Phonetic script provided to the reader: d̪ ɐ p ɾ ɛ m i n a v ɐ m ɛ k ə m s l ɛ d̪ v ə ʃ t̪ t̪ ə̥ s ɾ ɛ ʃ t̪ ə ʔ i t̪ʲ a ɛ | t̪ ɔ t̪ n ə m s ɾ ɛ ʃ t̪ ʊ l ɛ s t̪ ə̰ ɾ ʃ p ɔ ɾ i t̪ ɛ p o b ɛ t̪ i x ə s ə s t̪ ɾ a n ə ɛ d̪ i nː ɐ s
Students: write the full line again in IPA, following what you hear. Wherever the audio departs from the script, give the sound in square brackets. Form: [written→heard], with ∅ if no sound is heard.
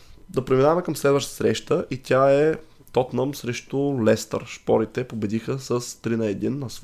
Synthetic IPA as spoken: d̪ ɐ p ɾ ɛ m i n a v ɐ m ɛ k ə m s l ɛ d̪ v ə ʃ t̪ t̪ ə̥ s ɾ ɛ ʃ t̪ ə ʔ i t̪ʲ a ɛ | t̪ ɔ t̪ n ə m s ɾ ɛ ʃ t̪ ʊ l ɛ s t̪ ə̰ ɾ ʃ p ɔ ɾ i t̪ ɛ p o b ɛ [t̪→d̪] i x ə s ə s t̪ ɾ [a→i] n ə ɛ d̪ i nː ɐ s